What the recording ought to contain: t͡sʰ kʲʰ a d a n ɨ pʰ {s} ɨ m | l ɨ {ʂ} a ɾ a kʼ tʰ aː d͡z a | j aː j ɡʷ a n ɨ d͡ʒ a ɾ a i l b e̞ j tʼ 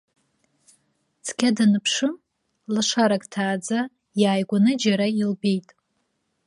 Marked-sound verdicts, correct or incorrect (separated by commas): incorrect, correct